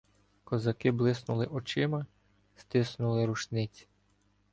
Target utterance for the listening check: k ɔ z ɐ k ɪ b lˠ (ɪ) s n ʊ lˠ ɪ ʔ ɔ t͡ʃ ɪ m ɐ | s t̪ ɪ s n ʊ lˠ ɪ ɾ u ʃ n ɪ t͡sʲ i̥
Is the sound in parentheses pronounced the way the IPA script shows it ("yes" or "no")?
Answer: yes